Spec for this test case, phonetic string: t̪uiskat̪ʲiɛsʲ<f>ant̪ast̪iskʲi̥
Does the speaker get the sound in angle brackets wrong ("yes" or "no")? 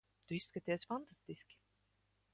no